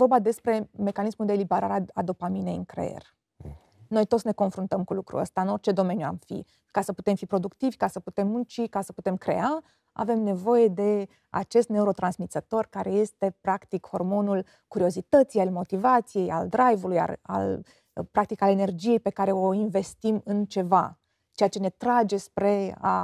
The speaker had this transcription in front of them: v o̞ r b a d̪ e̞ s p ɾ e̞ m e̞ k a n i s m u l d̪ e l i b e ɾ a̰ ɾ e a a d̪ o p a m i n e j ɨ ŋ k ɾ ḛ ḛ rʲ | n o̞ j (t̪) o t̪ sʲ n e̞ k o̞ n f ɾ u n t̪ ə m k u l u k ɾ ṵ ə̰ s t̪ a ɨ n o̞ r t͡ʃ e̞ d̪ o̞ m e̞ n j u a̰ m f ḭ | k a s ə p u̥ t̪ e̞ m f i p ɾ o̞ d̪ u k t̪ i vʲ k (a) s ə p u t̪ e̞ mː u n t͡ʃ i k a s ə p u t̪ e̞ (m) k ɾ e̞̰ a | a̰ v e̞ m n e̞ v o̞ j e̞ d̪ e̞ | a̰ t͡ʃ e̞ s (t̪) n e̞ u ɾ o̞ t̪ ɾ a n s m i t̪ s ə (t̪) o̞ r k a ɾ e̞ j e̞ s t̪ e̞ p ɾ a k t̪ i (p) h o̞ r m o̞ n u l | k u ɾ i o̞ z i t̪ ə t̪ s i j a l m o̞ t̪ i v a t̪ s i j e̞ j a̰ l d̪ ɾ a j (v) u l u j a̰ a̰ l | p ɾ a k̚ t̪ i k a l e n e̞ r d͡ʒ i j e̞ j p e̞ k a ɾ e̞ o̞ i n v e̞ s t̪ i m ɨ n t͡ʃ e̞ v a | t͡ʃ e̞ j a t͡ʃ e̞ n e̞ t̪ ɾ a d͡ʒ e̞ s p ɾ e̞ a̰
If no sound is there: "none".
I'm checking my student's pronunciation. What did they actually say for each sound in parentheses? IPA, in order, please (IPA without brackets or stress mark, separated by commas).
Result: t̪, a, m, t̪, t̪, k, v